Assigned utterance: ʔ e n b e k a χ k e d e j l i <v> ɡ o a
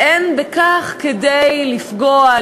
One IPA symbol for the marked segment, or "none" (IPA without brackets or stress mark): f